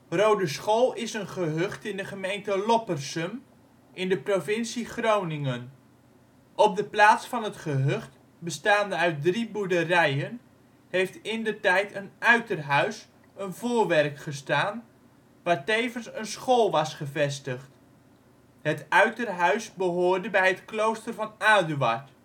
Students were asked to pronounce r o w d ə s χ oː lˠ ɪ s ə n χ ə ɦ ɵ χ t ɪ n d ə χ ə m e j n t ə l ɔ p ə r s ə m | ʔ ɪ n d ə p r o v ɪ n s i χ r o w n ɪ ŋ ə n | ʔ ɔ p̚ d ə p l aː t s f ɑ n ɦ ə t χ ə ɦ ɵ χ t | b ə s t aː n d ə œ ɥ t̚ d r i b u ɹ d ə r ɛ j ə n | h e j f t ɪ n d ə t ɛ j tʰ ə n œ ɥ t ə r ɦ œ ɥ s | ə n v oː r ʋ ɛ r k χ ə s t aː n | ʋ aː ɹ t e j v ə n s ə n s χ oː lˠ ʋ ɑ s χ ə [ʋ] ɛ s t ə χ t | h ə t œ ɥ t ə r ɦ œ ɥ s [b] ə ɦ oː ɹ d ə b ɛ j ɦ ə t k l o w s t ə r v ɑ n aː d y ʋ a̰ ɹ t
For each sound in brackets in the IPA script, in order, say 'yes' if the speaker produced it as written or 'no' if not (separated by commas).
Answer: no, yes